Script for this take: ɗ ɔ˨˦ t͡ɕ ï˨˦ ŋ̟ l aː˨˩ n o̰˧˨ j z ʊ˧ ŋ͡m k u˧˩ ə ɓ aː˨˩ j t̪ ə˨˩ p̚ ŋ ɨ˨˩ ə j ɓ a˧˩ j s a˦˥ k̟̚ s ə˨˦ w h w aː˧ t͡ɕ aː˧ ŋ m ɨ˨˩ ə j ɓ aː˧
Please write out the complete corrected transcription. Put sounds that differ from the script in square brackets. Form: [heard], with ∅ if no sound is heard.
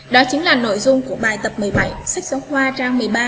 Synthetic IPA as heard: ɗ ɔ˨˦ t͡ɕ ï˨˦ ŋ̟ l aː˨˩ n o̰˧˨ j z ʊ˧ ŋ͡m k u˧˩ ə ɓ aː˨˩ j t̪ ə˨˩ p̚ [m] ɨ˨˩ ə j ɓ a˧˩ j s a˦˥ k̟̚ s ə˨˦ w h w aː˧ t͡ɕ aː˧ ŋ m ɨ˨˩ ə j ɓ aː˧